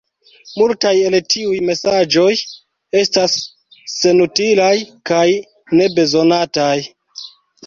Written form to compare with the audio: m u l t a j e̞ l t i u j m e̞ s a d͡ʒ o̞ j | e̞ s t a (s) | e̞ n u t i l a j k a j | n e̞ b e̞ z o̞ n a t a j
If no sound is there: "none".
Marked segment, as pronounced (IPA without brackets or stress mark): sː